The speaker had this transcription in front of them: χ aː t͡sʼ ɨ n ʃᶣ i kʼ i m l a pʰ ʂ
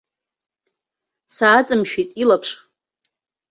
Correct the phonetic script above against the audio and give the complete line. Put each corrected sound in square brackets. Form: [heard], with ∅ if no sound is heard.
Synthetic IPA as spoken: [s] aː t͡sʼ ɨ [m] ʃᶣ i [tʼ] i [∅] l a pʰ ʂ